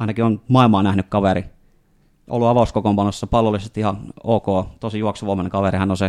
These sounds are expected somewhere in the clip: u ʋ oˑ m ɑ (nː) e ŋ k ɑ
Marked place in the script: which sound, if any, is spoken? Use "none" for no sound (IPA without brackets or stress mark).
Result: n